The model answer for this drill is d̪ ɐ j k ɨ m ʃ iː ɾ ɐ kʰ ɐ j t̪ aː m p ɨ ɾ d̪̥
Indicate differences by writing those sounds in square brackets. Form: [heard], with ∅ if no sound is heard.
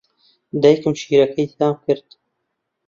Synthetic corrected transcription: d̪ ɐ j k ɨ m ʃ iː ɾ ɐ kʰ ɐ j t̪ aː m [k] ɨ ɾ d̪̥